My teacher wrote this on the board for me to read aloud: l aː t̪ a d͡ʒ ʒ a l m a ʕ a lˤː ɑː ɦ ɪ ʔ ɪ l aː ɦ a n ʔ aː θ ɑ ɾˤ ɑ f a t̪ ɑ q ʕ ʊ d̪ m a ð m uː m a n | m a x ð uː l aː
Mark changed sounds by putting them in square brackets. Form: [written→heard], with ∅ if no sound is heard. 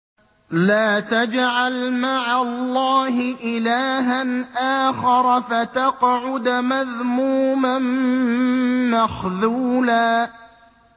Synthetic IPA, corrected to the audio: l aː t̪ a d͡ʒ [ʒ→ʕ] a l m a ʕ a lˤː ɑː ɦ ɪ ʔ ɪ l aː ɦ a n ʔ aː [θ→x] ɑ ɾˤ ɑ f a t̪ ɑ q ʕ ʊ d̪ m a ð m uː m a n | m a x ð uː l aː